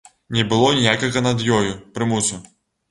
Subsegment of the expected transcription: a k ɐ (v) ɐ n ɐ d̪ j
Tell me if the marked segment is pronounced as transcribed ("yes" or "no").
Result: no